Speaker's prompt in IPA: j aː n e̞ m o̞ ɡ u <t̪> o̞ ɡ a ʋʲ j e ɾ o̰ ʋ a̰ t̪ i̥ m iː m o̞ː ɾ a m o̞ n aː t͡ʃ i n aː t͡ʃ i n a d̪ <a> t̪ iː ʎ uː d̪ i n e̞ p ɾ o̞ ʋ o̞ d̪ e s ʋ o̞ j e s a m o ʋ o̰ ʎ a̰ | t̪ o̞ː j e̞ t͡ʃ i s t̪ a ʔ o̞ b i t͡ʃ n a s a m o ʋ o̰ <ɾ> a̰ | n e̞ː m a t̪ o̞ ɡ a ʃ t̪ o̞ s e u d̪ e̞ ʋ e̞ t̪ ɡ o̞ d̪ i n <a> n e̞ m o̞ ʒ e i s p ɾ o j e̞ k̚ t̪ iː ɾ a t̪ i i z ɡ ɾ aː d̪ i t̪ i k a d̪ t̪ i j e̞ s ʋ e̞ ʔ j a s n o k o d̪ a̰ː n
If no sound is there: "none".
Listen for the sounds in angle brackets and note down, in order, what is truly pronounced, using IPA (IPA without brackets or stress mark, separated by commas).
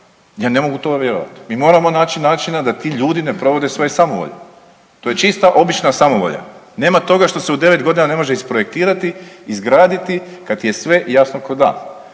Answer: t̪, a, ʎ, a